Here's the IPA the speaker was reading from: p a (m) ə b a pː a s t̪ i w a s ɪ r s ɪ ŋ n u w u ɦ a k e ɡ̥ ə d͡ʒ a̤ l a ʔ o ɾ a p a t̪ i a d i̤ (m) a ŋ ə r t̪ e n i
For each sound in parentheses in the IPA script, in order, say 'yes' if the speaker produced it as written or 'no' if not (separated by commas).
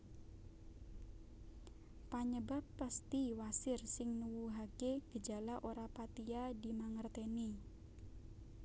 no, yes